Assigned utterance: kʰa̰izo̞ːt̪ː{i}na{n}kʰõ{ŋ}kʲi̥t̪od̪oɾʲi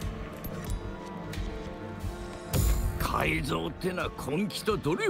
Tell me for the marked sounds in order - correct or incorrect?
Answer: incorrect: e, incorrect: none, correct

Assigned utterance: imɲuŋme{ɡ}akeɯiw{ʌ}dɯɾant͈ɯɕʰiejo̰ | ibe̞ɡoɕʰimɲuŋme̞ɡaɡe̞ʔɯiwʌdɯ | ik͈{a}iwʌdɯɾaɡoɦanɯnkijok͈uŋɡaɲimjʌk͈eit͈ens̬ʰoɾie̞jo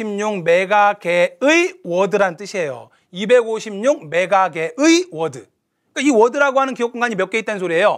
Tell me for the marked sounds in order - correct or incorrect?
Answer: correct, correct, correct

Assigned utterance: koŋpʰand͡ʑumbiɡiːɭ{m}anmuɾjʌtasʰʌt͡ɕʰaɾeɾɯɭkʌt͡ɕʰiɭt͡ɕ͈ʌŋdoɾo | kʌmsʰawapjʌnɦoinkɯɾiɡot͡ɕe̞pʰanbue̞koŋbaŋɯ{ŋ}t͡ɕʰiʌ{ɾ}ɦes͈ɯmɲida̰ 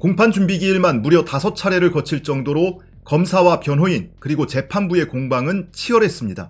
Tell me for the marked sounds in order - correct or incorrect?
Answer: correct, incorrect: n, correct

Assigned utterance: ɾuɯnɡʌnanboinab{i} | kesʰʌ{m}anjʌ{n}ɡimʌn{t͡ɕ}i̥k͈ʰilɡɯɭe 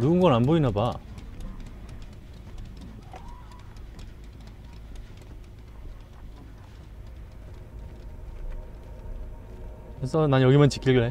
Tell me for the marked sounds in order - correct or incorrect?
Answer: incorrect: a, incorrect: n, incorrect: none, correct

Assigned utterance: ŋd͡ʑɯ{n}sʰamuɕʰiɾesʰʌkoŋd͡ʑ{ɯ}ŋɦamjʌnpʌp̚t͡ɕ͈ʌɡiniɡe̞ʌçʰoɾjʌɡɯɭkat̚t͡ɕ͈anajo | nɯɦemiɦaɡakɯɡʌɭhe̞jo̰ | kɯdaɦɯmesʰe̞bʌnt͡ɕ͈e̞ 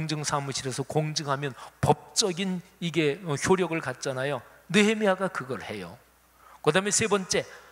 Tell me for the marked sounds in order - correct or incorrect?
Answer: incorrect: ŋ, correct

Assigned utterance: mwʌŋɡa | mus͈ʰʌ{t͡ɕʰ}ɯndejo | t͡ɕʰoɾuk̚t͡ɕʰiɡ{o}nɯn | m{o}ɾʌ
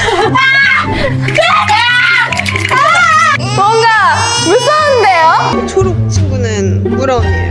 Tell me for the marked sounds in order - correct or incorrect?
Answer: incorrect: none, incorrect: u, incorrect: u

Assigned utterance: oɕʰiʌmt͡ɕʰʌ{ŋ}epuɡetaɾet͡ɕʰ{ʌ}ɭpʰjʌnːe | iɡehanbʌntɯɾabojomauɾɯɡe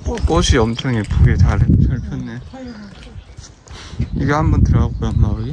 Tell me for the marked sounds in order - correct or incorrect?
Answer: correct, correct

